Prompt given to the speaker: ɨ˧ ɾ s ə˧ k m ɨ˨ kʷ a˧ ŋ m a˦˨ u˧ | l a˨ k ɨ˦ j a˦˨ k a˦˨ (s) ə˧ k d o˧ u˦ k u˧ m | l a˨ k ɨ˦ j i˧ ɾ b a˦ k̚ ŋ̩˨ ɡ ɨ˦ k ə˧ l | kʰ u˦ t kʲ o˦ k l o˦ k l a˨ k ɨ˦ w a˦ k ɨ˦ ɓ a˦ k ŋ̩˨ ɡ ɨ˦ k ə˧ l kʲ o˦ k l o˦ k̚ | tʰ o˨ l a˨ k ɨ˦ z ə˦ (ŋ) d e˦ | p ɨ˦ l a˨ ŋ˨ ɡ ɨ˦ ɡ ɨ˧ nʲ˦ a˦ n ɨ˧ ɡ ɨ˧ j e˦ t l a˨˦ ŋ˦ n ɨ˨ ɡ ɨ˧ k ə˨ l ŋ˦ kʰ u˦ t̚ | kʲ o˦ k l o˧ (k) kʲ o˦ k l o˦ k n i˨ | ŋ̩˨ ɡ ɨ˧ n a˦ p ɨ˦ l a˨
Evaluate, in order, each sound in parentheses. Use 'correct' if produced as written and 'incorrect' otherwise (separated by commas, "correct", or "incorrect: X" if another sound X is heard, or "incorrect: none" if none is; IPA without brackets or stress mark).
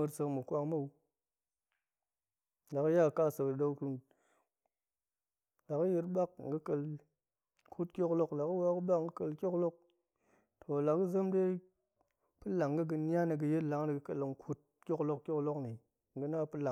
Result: correct, incorrect: m, correct